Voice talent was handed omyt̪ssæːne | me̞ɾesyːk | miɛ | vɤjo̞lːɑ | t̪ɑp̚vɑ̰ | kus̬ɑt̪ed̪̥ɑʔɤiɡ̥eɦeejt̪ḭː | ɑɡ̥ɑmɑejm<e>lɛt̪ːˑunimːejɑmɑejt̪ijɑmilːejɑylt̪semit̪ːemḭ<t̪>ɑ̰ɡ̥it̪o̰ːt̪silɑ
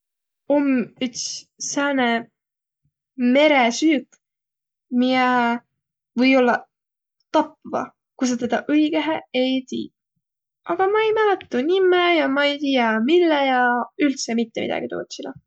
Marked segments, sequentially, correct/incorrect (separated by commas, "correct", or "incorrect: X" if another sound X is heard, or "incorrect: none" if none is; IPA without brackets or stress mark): incorrect: æ, incorrect: d̪